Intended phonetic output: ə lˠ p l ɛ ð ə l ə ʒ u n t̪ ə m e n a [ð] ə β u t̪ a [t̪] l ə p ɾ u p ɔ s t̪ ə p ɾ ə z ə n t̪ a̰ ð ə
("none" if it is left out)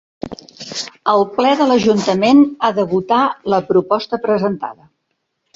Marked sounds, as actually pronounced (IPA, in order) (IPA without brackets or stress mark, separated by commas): ð, none